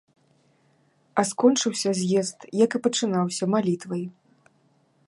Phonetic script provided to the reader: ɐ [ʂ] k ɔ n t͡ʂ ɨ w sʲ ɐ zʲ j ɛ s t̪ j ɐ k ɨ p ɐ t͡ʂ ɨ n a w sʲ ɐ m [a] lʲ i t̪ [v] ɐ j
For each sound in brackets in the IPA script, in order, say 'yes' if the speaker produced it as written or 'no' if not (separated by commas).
no, yes, yes